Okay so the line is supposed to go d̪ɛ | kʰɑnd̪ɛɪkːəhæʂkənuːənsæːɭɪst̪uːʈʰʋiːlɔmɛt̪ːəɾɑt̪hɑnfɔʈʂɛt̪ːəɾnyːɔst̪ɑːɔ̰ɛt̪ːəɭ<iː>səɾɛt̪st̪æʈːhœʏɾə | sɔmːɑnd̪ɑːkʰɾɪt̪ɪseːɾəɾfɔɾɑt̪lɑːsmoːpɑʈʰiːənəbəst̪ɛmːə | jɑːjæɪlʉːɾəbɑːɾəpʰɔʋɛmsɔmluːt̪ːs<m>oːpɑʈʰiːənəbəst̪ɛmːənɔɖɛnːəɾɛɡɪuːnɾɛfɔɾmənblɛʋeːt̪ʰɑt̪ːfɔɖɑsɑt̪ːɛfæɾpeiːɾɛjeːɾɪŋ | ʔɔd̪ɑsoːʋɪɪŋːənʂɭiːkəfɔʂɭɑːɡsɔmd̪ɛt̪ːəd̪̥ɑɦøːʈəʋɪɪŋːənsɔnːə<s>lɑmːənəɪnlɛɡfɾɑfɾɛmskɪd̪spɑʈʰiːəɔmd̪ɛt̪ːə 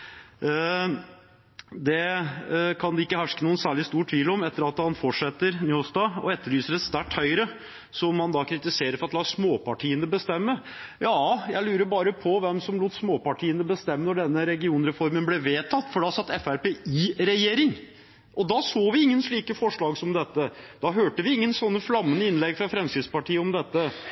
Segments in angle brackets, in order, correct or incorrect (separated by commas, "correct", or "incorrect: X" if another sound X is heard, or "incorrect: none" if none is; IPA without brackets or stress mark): incorrect: yː, correct, incorrect: f